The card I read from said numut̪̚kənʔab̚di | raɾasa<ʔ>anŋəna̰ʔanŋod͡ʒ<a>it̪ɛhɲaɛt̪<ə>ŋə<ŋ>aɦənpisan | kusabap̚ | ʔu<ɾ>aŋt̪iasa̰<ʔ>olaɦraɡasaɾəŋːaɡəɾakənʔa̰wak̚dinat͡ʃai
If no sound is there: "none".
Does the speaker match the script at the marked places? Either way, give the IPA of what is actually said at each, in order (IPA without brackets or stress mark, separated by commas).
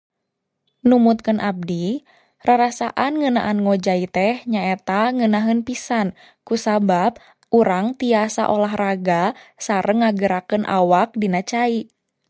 ʔ, a, a, n, ɾ, ʔ